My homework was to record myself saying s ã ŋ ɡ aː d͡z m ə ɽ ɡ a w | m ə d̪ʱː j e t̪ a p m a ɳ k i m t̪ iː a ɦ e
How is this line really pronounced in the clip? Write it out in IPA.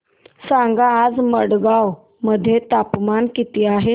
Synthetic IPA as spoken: s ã ŋ ɡ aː d͡z m ə ɽ ɡ a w | m ə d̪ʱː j e t̪ a p m a n k i t̪ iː a ɦ e